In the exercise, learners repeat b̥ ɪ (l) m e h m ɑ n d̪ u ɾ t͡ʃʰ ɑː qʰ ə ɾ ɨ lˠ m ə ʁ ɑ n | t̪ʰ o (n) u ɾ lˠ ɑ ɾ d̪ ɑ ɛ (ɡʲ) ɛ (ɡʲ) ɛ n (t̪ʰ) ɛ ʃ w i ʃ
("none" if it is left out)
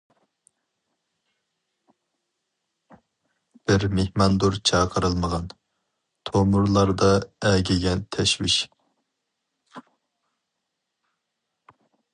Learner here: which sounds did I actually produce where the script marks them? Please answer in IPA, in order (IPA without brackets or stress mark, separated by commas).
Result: ɾ, m, ɡʲ, ɡʲ, t̪ʰ